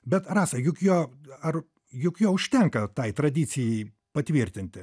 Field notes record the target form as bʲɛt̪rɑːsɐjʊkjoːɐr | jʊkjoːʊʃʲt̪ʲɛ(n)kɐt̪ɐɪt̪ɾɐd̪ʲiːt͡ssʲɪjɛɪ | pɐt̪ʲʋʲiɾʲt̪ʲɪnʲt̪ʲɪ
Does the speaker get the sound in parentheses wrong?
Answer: yes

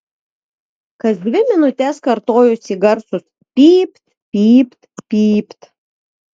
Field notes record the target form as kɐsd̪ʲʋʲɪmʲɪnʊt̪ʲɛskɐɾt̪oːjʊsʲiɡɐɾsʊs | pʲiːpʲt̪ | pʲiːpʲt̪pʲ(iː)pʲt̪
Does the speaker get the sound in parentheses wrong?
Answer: no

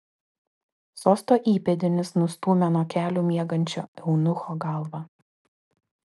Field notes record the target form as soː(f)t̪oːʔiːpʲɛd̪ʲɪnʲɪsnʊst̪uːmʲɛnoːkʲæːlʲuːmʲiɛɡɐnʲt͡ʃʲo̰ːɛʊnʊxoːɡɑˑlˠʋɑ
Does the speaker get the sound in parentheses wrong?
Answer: yes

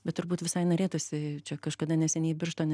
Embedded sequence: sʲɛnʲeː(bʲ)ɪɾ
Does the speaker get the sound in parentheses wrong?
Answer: no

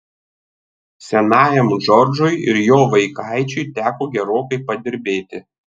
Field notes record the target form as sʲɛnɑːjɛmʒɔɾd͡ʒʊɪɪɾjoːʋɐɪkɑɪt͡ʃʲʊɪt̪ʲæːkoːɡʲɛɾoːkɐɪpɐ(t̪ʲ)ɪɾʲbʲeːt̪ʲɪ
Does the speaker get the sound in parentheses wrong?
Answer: yes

